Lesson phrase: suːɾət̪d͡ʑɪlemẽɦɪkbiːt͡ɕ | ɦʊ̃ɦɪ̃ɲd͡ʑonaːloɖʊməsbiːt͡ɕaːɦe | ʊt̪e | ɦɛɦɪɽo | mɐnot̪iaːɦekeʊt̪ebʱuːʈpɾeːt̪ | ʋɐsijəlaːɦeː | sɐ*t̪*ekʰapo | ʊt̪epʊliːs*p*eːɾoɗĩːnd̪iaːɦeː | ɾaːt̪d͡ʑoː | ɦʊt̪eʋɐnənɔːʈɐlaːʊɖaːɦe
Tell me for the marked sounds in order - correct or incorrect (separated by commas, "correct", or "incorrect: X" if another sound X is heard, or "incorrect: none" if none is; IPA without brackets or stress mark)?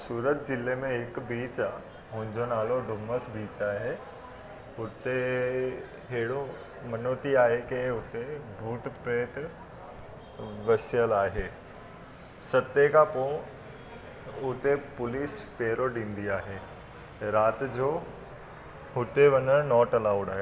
correct, correct